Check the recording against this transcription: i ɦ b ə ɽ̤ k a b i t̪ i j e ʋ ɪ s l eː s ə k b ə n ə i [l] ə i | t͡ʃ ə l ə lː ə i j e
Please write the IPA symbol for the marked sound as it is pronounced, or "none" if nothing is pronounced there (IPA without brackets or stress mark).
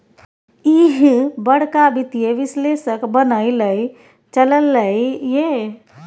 l